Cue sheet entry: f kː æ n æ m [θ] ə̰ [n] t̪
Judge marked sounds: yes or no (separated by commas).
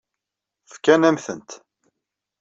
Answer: yes, yes